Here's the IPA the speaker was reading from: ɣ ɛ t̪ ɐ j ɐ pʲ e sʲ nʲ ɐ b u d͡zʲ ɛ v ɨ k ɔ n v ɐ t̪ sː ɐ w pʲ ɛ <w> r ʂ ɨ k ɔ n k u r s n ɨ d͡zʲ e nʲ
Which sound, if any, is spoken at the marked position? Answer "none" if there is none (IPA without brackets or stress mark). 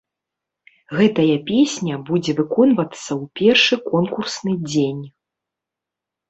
none